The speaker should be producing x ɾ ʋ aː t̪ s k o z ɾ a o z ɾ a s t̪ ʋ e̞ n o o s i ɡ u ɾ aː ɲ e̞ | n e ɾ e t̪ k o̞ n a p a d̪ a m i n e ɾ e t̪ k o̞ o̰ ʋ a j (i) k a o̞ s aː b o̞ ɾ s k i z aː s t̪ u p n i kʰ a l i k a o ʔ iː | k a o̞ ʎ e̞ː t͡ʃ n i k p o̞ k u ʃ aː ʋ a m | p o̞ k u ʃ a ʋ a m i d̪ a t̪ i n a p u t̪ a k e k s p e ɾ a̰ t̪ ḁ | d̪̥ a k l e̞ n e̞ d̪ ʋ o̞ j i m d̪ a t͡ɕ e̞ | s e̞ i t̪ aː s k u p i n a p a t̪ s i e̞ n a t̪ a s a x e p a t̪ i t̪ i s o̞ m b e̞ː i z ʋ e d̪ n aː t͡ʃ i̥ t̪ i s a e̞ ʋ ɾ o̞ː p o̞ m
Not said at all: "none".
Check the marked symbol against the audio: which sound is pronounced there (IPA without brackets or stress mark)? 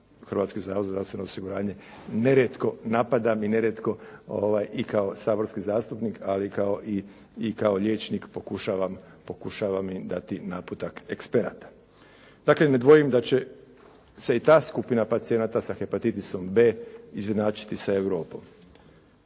i